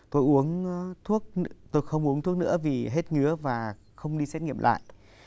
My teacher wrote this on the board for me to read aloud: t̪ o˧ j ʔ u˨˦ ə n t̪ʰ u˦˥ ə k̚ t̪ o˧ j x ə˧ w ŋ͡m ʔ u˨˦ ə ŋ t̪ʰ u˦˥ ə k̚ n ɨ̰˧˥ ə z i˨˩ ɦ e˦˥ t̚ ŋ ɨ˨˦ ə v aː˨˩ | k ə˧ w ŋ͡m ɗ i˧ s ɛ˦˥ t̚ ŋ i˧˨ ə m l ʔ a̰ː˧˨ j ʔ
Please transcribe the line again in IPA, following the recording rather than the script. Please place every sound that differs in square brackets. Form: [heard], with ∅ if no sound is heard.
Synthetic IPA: t̪ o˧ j ʔ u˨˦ ə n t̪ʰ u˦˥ ə k̚ t̪ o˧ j x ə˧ w ŋ͡m ʔ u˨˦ ə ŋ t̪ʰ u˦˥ ə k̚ n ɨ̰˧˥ ə [v] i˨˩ ɦ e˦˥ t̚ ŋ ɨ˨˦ ə v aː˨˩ | [x] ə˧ w ŋ͡m ɗ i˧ s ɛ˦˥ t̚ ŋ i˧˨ ə m l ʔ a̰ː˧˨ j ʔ